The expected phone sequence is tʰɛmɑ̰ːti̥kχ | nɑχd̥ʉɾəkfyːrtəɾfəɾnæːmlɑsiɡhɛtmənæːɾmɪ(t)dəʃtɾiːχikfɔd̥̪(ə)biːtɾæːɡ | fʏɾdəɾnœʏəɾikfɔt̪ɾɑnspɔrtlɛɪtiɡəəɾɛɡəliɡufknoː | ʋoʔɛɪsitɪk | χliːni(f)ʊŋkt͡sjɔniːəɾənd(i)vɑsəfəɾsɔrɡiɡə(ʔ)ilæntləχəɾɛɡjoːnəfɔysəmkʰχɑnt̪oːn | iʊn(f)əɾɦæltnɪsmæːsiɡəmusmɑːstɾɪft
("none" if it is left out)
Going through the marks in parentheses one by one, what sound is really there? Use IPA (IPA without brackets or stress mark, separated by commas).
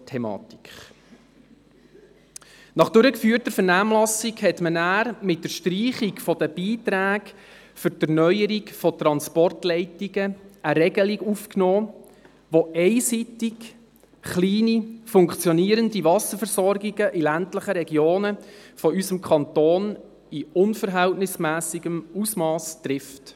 t, ə, f, i, ʔ, f